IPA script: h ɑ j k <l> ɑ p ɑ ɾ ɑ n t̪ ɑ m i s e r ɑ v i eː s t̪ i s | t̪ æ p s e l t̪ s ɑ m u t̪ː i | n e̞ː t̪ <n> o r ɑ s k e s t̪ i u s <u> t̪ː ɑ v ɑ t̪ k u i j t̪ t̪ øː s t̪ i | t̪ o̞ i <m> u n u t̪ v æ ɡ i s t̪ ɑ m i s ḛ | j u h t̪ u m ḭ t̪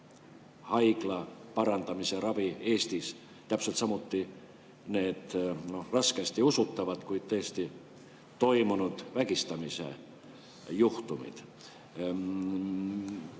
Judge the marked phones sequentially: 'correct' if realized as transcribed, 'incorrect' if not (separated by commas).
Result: correct, correct, correct, correct